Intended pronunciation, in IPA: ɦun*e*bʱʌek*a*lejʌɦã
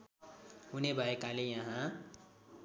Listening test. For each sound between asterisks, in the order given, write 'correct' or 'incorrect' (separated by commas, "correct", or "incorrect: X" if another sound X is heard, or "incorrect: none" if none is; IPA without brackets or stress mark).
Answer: correct, correct